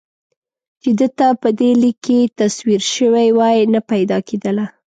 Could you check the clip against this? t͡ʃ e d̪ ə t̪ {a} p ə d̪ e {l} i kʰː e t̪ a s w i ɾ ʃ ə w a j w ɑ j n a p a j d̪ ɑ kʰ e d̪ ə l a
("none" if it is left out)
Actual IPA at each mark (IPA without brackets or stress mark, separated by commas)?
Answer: a, l